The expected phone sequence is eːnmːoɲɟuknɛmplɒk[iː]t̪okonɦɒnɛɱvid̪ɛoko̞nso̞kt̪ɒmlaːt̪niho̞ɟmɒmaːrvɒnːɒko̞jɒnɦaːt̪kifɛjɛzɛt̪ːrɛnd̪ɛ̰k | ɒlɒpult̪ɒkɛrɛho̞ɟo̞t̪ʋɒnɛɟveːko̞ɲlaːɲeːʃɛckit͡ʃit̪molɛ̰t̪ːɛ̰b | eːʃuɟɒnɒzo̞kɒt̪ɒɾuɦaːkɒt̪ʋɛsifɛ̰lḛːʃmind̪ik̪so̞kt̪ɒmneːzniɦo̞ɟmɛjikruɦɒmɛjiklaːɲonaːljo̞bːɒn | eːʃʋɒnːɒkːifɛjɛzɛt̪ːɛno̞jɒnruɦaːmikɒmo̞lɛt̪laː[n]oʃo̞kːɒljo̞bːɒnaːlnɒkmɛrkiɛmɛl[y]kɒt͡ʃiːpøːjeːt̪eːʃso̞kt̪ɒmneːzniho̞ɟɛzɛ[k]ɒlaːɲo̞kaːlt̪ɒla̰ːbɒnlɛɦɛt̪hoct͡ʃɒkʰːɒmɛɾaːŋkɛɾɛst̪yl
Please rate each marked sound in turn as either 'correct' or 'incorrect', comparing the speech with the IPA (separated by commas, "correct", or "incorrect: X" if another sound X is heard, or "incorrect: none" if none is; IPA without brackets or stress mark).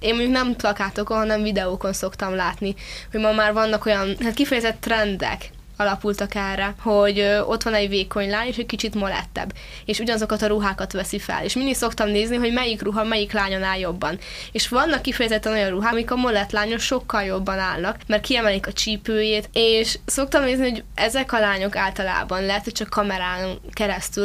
incorrect: aː, incorrect: ɲ, incorrect: i, correct